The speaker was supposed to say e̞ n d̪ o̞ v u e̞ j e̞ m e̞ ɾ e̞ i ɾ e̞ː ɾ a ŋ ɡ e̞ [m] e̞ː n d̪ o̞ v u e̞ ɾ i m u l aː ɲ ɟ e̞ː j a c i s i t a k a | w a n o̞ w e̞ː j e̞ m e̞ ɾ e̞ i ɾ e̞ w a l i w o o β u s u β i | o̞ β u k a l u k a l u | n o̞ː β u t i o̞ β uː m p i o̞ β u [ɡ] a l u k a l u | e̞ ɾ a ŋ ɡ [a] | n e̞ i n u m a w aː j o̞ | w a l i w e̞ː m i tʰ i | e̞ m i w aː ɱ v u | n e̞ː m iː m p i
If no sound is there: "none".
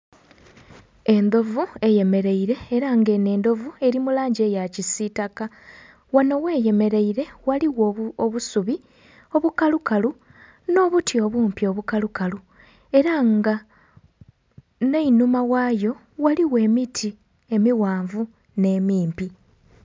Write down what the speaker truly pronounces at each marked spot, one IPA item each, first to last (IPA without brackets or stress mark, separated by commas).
n, k, a